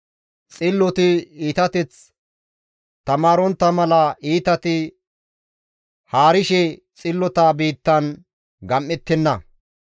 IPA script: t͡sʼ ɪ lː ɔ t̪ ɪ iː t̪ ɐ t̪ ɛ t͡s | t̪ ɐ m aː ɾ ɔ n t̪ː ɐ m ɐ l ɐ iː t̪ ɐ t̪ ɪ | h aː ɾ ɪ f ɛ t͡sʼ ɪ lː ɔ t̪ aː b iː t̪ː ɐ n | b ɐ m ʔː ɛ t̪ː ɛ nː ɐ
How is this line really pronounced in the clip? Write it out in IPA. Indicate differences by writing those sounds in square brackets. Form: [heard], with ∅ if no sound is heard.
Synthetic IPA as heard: t͡sʼ ɪ lː ɔ t̪ ɪ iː t̪ ɐ t̪ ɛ t͡s | t̪ ɐ m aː ɾ ɔ n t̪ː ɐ m ɐ l ɐ iː t̪ ɐ t̪ ɪ | h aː ɾ ɪ [ʃ] ɛ t͡sʼ ɪ lː ɔ t̪ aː b iː t̪ː ɐ n | [ɡ] ɐ m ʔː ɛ t̪ː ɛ nː ɐ